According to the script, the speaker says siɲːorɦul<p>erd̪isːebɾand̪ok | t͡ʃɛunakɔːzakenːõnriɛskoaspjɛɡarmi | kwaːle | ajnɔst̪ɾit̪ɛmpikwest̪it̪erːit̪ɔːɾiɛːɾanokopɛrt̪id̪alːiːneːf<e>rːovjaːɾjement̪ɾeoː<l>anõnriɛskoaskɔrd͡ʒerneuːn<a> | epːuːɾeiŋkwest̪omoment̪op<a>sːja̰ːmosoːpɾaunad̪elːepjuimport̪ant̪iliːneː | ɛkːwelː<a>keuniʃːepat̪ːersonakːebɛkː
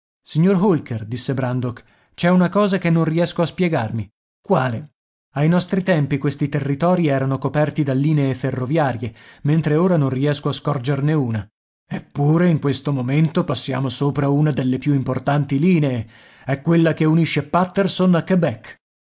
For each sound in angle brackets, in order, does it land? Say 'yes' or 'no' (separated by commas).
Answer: no, yes, no, yes, yes, yes